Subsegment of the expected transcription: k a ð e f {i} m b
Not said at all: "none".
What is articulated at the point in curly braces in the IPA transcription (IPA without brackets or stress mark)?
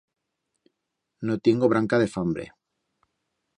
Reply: a